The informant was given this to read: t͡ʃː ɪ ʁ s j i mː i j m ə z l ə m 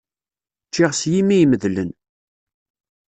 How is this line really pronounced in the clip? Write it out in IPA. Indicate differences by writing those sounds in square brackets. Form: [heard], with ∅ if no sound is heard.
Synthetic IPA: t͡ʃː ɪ ʁ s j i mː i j m ə [ð] l ə [n]